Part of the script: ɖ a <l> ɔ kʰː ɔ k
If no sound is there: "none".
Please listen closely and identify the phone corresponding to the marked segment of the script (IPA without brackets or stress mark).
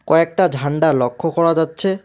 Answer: l